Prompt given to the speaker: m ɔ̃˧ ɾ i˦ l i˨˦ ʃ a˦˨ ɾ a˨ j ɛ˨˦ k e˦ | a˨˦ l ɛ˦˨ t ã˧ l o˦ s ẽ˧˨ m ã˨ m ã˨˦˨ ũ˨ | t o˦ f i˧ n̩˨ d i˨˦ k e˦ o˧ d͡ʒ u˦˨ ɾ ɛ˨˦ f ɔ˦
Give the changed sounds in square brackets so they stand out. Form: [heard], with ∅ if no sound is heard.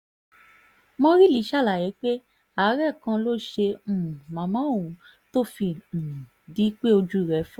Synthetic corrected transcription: m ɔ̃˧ ɾ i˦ l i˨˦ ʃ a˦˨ [l] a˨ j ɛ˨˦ [k͡p] e˦ | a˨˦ [ɾ] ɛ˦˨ [k] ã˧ l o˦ [ʃ] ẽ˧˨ m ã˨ m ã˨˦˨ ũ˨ | t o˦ f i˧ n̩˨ d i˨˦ [k͡p] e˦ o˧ d͡ʒ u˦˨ ɾ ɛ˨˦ f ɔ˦